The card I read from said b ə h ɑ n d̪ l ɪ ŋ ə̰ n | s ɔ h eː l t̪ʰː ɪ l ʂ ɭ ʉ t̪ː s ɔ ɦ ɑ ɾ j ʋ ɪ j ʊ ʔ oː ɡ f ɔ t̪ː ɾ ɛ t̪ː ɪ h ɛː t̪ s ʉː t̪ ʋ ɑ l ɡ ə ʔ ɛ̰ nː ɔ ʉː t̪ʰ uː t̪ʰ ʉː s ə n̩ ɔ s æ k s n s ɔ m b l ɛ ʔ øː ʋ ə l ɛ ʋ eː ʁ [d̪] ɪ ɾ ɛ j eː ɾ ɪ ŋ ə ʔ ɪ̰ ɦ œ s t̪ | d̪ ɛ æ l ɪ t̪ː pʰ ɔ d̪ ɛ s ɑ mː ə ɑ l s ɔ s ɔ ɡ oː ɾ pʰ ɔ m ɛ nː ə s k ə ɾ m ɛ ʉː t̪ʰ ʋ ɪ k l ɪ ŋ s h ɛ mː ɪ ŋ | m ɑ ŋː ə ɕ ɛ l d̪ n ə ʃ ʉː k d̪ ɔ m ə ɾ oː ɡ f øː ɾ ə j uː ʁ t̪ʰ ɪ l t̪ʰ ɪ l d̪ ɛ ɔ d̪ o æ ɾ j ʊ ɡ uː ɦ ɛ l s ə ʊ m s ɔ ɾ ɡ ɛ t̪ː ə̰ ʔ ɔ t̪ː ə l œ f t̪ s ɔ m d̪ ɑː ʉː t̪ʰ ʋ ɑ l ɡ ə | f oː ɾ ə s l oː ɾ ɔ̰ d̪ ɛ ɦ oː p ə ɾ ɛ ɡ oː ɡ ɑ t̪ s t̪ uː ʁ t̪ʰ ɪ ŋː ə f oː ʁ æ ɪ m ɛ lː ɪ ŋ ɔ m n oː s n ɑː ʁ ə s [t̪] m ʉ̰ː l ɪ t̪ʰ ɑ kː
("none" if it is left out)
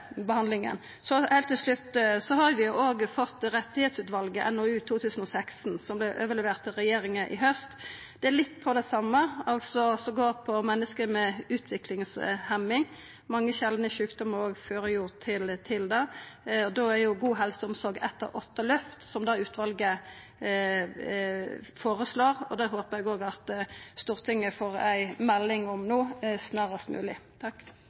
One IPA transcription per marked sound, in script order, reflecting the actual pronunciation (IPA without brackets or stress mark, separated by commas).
t̪, t̪